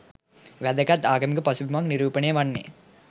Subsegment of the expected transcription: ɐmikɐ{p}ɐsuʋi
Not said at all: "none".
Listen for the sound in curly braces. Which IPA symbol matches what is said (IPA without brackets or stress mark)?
p